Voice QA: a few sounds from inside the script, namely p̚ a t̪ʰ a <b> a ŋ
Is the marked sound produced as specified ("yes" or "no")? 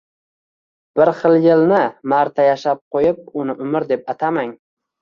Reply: no